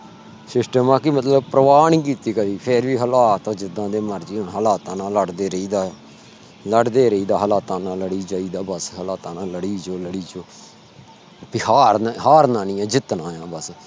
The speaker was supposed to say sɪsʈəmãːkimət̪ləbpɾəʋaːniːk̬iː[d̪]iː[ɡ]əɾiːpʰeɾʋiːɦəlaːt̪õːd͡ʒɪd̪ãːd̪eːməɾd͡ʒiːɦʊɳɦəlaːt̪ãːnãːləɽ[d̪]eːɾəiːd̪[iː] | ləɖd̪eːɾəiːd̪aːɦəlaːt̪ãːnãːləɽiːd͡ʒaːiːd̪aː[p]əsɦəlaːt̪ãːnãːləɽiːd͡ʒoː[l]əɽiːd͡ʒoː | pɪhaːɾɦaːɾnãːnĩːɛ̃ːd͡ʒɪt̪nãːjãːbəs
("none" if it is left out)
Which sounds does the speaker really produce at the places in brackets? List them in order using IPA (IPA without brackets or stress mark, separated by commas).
t̪, k, d̪, aː, b, l